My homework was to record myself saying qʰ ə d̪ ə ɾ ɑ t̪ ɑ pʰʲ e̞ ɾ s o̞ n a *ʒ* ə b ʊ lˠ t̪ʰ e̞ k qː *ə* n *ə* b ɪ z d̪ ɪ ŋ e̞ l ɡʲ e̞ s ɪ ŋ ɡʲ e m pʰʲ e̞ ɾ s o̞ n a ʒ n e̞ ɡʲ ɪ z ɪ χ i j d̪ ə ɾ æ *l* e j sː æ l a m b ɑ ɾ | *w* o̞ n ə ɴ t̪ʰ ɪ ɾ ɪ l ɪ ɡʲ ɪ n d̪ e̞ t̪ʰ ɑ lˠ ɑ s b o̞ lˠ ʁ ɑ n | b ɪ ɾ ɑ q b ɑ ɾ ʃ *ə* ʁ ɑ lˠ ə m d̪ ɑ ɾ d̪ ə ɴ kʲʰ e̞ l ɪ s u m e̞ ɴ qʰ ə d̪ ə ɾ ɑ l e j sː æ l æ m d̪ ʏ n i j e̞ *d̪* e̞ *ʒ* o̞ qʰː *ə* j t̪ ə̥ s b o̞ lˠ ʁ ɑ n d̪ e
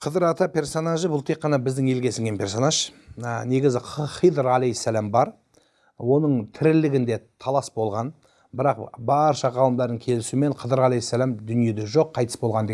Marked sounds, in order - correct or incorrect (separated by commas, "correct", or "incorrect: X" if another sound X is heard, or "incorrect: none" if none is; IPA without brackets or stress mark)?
correct, incorrect: ɑ, incorrect: ɑ, correct, correct, incorrect: ɑ, correct, correct, incorrect: ɑ